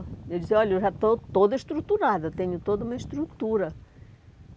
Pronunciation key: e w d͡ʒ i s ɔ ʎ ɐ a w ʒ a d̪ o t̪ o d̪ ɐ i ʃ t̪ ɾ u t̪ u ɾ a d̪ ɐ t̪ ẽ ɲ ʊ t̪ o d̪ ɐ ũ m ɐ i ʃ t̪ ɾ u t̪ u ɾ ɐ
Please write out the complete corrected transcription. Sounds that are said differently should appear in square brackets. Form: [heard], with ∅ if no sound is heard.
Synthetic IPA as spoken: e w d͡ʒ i s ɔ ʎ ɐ [e] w ʒ a [t̪] o t̪ o d̪ ɐ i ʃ t̪ ɾ u t̪ u ɾ a d̪ ɐ t̪ ẽ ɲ ʊ t̪ o d̪ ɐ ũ m ɐ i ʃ t̪ ɾ u t̪ u ɾ ɐ